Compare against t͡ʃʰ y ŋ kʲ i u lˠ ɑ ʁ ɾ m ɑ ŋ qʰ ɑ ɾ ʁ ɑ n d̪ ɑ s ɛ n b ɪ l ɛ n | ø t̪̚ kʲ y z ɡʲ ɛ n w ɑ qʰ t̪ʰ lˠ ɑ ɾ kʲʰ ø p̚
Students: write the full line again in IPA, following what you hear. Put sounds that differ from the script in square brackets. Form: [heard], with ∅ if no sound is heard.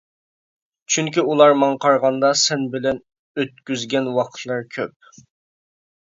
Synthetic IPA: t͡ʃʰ y ŋ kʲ i u lˠ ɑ [∅] ɾ m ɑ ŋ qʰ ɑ ɾ ʁ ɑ n d̪ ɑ s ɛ n b ɪ l ɛ n | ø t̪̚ kʲ y z ɡʲ ɛ n w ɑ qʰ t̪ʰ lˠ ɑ ɾ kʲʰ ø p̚